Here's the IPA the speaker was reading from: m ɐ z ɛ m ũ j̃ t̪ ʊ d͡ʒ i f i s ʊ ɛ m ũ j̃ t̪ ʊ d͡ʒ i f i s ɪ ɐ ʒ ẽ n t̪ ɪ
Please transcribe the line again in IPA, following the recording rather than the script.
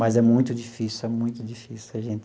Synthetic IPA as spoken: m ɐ z ɛ m ũ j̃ t̪ ʊ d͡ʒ i f i s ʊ ɛ m ũ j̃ t̪ ʊ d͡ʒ i f i s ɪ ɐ ʒ ẽ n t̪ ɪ